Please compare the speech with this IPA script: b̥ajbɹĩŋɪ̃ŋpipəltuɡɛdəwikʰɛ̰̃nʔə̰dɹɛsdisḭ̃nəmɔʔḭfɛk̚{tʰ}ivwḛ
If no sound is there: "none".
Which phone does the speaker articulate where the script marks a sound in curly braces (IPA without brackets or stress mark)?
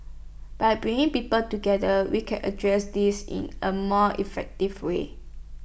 t